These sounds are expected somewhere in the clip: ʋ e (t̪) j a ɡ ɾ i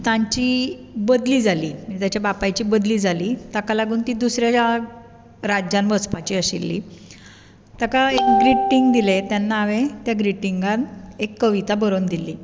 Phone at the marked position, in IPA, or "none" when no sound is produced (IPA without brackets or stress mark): t̪